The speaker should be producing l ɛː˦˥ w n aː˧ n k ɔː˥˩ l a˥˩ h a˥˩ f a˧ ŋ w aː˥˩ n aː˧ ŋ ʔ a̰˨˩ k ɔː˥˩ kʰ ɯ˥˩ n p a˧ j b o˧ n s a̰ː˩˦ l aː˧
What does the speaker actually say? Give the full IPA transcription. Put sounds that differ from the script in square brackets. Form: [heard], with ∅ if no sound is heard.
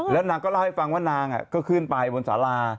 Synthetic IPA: l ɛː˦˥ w n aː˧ [ŋ] k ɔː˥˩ l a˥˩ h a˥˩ f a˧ ŋ w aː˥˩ n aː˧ ŋ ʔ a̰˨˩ k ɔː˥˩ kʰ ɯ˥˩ n p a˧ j b o˧ n s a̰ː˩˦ l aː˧

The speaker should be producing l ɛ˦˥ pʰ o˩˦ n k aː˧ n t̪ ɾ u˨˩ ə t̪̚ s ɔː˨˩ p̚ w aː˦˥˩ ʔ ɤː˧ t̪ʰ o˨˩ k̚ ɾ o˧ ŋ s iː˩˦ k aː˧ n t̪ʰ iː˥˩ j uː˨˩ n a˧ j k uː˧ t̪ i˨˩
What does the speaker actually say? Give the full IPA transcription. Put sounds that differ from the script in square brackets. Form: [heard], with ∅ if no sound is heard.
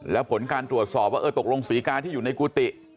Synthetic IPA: l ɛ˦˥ pʰ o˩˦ n k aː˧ n t̪ ɾ u˨˩ ə t̪̚ s ɔː˨˩ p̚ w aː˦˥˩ ʔ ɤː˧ [t̪] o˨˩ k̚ [l] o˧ ŋ s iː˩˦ k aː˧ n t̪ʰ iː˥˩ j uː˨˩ n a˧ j k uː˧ t̪ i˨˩

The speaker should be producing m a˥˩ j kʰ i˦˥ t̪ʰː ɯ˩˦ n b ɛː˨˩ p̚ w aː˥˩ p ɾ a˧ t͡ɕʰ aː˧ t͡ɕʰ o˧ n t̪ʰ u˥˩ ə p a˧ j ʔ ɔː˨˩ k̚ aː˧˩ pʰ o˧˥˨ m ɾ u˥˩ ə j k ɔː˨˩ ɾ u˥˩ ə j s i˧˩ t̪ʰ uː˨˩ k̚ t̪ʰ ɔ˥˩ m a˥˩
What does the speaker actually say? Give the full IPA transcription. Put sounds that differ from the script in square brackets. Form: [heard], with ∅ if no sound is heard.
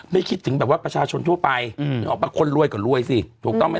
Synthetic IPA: m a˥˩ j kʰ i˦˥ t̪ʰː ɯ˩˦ [ŋ] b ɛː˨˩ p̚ w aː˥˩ p ɾ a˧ t͡ɕʰ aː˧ t͡ɕʰ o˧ n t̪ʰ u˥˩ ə p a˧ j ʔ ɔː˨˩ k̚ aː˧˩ [kʰ] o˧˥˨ [n] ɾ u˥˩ ə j k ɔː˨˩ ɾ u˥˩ ə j s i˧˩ t̪ʰ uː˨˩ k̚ [t̪] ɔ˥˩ m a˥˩

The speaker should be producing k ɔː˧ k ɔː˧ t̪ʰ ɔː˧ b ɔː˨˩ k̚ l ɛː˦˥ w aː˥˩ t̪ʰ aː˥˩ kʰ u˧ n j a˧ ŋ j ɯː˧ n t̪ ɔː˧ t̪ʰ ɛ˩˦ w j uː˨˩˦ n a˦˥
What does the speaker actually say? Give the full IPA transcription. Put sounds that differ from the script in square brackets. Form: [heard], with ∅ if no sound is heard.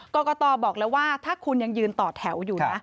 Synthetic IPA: k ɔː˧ k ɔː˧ [t̪] ɔː˧ b ɔː˨˩ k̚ l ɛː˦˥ w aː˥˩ t̪ʰ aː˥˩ kʰ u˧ n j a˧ ŋ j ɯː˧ n t̪ [ɔː˨˩] t̪ʰ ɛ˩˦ w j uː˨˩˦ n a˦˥

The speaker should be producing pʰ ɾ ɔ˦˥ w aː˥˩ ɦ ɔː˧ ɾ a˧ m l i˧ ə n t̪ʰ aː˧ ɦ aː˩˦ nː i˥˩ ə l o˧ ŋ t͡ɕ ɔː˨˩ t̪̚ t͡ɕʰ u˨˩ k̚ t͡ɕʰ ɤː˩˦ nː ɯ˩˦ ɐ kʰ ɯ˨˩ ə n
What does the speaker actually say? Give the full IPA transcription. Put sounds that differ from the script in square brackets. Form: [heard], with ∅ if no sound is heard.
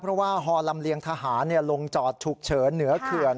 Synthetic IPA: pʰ ɾ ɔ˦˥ w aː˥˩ ɦ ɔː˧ [l] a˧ m l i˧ ə [ŋ] t̪ʰ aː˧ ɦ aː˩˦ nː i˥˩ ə l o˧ ŋ t͡ɕ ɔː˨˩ t̪̚ t͡ɕʰ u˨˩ k̚ t͡ɕʰ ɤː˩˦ nː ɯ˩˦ ɐ kʰ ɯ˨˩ ə n

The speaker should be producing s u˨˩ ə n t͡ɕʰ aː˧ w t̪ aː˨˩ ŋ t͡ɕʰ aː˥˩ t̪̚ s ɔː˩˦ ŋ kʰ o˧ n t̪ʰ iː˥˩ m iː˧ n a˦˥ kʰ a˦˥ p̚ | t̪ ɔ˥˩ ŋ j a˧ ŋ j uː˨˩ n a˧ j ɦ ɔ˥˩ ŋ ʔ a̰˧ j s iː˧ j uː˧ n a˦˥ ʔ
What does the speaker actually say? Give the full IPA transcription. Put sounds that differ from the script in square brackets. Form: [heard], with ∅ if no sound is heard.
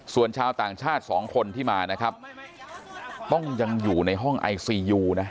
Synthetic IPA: s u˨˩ ə n t͡ɕʰ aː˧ w t̪ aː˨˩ ŋ t͡ɕʰ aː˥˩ t̪̚ s ɔː˩˦ ŋ kʰ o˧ n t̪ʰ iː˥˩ m [aː˧] n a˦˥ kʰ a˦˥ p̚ | t̪ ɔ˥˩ ŋ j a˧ ŋ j uː˨˩ n a˧ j ɦ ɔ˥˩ ŋ ʔ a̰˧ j s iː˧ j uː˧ n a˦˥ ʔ

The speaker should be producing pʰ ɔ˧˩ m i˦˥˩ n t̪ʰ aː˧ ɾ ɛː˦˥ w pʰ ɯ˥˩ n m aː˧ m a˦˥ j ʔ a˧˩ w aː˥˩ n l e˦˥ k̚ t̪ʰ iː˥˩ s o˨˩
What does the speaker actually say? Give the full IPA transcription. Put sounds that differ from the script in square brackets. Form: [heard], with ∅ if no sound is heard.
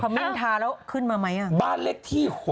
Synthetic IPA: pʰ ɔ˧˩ m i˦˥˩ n t̪ʰ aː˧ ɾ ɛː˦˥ w [kʰ] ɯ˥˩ n m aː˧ m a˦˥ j ʔ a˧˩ [b] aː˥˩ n l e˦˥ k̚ t̪ʰ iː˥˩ [h] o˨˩

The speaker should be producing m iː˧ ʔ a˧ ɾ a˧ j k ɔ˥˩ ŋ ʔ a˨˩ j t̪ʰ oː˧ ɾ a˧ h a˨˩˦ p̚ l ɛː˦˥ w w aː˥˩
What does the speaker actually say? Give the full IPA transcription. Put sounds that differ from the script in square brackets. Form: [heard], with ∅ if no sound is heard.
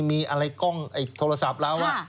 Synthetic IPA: m iː˧ ʔ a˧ ɾ a˧ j k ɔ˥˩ ŋ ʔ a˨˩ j t̪ʰ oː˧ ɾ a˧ [s] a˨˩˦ p̚ l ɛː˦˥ w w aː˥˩

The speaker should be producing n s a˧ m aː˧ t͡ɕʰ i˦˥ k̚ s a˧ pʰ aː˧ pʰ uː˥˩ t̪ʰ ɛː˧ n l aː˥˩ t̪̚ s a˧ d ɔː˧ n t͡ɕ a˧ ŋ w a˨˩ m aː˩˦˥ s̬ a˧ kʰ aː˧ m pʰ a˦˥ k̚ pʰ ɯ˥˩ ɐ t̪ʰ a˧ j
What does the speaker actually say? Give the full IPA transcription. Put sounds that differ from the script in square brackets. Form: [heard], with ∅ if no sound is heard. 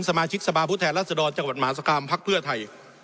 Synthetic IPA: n s a˧ m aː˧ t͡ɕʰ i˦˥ k̚ s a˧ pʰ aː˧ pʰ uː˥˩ t̪ʰ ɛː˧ n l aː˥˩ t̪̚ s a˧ d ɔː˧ n t͡ɕ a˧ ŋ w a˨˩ m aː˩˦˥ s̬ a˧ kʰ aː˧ m pʰ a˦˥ k̚ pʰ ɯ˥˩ ɐ t̪ʰ a˧ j

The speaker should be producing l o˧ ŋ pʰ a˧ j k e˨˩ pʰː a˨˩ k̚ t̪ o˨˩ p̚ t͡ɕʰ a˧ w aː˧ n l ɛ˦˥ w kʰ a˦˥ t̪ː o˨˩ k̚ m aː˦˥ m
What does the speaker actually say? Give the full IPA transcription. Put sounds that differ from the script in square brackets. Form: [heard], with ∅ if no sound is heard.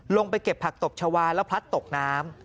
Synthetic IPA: l o˧ ŋ [p] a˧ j k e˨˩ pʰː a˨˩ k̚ t̪ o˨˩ p̚ t͡ɕʰ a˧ w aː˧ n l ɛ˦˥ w [pʰ] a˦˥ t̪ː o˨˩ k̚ [n] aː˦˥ m

